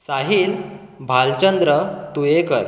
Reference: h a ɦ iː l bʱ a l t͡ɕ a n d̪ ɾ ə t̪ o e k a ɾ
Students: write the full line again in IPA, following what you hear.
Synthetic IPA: s a ɦ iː l bʱ a l t͡ɕ ə n d̪ ɾ ə t̪ u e k ə ɾ